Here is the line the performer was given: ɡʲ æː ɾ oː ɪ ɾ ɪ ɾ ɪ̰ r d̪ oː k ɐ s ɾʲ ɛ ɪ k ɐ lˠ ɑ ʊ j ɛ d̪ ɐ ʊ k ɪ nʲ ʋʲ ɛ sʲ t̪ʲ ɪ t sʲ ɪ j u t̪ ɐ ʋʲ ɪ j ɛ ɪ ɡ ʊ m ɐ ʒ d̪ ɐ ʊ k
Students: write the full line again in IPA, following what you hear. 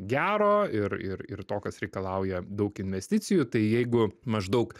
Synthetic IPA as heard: ɡʲ æː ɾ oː ɪ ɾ ɪ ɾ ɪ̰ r t̪ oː k ɐ s ɾʲ ɛ ɪ k ɐ lˠ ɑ ʊ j ɛ d̪ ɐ ʊ k ɪ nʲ ʋʲ ɛ sʲ t̪ʲ ɪ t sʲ ɪ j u t̪ ɐ ɪ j ɛ ɪ ɡ ʊ m ɐ ʒ d̪ ɐ ʊ k

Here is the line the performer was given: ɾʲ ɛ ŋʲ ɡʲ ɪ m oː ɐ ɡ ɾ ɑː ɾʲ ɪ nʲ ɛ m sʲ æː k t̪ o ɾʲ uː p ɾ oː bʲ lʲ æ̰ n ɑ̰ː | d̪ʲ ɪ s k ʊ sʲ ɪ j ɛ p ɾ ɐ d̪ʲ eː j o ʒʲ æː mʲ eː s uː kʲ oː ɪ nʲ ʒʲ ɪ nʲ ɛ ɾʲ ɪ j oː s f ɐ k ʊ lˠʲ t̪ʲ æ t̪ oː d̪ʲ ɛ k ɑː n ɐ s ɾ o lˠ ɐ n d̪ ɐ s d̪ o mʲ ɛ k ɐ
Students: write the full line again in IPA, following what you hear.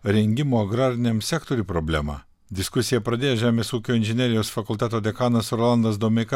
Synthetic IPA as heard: ɾʲ ɛ ŋʲ ɡʲ ɪ m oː ɐ ɡ ɾ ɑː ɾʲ ɪ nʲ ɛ m sʲ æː k t̪ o ɾʲ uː p ɾ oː bʲ lʲ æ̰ m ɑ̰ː | d̪ʲ ɪ s k ʊ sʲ ɪ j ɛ p ɾ ɐ d̪ʲ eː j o ʒʲ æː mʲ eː s uː kʲ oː ɪ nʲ ʒʲ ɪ nʲ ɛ ɾʲ ɪ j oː s f ɐ k ʊ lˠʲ t̪ʲ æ t̪ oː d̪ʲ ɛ k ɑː n ɐ s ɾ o lˠ ɐ n d̪ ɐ s d̪ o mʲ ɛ k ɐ

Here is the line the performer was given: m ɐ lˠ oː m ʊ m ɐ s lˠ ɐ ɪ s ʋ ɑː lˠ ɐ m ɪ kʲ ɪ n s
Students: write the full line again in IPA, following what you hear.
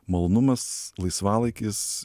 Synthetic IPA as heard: m ɐ lˠ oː n ʊ m ɐ s lˠ ɐ ɪ s ʋ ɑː lˠ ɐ ɪ kʲ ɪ s

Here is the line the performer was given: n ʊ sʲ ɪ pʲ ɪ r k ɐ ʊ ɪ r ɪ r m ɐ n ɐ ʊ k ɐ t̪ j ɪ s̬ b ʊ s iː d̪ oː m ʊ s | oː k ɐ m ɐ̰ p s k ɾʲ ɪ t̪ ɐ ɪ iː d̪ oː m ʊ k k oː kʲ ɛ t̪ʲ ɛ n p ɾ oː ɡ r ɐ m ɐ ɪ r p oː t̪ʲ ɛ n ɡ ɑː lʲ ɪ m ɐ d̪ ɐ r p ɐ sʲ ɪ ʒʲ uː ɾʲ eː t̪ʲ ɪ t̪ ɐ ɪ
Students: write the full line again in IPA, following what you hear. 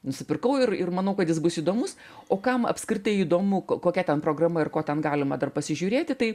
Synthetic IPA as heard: n ʊ sʲ ɪ pʲ ɪ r k ɐ ʊ ɪ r ɪ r m ɐ n ɐ ʊ k ɐ t̪ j ɪ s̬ b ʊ s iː d̪ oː m ʊ s | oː k ɐ m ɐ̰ p s k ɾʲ ɪ t̪ ɐ ɪ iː d̪ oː m ʊ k k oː kʲ ɛ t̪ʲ ɛ n p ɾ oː ɡ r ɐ m ɐ ɪ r k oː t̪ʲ ɛ n ɡ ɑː lʲ ɪ m ɐ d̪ ɐ r p ɐ sʲ ɪ ʒʲ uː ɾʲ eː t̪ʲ ɪ t̪ ɐ ɪ

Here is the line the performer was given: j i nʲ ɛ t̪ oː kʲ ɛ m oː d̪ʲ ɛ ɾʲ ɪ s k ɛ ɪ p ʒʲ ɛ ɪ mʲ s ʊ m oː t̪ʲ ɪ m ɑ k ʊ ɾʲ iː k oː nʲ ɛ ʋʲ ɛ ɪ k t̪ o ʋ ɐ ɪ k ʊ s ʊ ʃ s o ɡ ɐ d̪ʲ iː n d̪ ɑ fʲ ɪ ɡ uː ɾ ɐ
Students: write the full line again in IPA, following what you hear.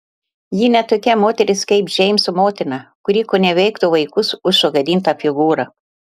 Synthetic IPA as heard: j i nʲ ɛ t̪ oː kʲ ɛ m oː t̪ʲ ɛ ɾʲ ɪ s k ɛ ɪ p ʒʲ ɛ ɪ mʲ s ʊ m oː t̪ʲ ɪ n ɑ k ʊ ɾʲ iː k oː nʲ ɛ ʋʲ ɛ ɪ k t̪ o ʋ ɐ ɪ k ʊ s ʊ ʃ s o ɡ ɐ d̪ʲ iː n t̪ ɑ fʲ ɪ ɡ uː ɾ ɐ

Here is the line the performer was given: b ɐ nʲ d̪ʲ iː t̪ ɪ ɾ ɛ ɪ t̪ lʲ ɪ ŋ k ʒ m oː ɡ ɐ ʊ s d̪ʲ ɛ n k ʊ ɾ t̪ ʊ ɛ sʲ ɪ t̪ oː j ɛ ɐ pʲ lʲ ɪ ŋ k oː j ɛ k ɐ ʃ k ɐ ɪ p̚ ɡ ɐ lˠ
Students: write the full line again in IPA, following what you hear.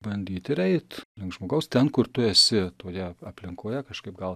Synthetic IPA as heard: b ɐ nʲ d̪ʲ iː t̪ ɪ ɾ ɛ ɪ t̪ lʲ ɪ ŋ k ʒ m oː ɡ ɐ ʊ s t̪ʲ ɛ n k ʊ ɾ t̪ ʊ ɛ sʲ ɪ t̪ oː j ɛ ɐ pʲ lʲ ɪ ŋ k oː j ɛ k ɐ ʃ k ɐ ɪ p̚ ɡ ɐ lˠ

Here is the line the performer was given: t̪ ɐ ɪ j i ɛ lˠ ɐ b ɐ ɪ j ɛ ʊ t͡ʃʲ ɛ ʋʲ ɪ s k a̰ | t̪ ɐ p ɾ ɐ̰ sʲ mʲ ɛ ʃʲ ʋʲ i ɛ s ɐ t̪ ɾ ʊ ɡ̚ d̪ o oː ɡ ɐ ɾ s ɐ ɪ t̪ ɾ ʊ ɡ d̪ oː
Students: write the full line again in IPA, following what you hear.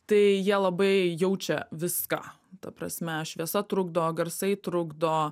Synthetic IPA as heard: t̪ ɐ ɪ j i ɛ lˠ ɐ b ɐ ɪ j ɛ ʊ t͡ʃʲ ɛ ʋʲ ɪ s k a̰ | t̪ ɐ p ɾ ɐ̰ sʲ mʲ ɛ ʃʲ ʋʲ i ɛ s ɐ t̪ ɾ ʊ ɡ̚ d̪ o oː ɡ ɐ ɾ s ɐ ɪ t̪ ɾ ʊ ɡ d̪ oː

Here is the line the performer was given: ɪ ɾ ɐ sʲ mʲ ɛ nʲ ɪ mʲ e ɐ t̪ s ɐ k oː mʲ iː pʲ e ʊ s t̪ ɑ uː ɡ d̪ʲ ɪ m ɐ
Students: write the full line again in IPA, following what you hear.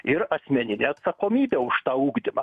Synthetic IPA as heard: ɪ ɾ ɐ sʲ mʲ ɛ nʲ ɪ nʲ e ɐ t̪ s ɐ k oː mʲ iː bʲ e ʊ ʃ t̪ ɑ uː ɡ d̪ʲ ɪ m ɐ

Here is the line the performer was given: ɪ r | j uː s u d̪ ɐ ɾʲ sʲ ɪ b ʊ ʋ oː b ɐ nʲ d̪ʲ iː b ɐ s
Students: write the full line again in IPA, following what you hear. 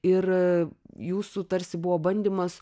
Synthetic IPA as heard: ɪ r | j uː s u t̪ ɐ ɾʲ sʲ ɪ b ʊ ʋ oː b ɐ nʲ d̪ʲ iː m ɐ s

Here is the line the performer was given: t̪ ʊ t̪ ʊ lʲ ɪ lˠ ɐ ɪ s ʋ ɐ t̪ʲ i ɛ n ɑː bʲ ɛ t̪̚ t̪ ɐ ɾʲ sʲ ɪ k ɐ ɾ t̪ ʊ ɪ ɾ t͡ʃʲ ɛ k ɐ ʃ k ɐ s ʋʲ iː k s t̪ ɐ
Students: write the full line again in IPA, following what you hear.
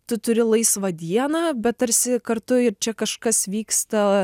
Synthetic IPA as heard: t̪ ʊ t̪ ʊ ɾʲ ɪ lˠ ɐ ɪ s ʋ ɐ d̪ʲ i ɛ n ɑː bʲ ɛ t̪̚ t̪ ɐ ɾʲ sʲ ɪ k ɐ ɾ t̪ ʊ ɪ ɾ t͡ʃʲ ɛ k ɐ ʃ k ɐ s ʋʲ iː k s t̪ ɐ

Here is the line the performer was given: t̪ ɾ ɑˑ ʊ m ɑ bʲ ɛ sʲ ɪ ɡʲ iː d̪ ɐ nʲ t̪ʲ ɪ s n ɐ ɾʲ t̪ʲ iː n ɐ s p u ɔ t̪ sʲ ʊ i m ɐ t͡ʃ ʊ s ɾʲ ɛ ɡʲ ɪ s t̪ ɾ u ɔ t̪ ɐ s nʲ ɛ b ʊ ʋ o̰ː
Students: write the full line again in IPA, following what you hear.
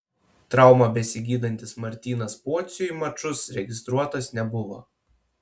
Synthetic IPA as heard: t̪ ɾ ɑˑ ʊ m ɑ bʲ ɛ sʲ ɪ ɡʲ iː d̪ ɐ nʲ t̪ʲ ɪ s m ɐ ɾʲ t̪ʲ iː n ɐ s p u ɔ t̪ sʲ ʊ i m ɐ t͡ʃ ʊ s ɾʲ ɛ ɡʲ ɪ s t̪ ɾ u ɔ t̪ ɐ s nʲ ɛ b ʊ ʋ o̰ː

